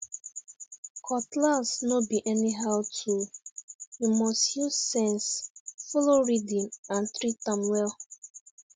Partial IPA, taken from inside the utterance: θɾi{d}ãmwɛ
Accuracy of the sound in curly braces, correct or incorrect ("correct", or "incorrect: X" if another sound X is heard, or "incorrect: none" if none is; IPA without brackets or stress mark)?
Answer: incorrect: t